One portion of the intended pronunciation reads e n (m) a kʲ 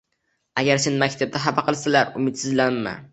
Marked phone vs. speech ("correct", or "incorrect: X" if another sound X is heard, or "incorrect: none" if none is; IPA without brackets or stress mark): correct